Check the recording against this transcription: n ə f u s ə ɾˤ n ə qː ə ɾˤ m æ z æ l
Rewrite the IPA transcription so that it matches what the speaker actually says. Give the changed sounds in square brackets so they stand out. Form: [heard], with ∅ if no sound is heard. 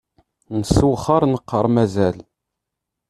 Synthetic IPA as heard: n ə [s] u [χ] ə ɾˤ n ə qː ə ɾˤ m æ z æ l